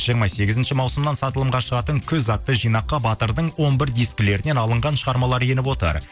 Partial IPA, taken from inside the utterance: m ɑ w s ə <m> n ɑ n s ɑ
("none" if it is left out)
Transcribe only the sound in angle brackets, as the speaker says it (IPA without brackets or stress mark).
m